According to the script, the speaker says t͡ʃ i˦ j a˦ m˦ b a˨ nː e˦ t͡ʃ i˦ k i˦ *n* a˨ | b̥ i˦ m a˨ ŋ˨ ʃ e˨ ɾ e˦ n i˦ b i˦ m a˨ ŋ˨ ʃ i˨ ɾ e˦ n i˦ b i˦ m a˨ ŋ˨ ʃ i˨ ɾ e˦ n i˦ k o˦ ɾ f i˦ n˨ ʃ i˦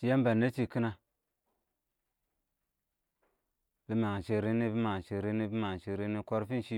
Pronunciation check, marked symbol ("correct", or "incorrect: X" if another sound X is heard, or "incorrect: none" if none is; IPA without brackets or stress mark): correct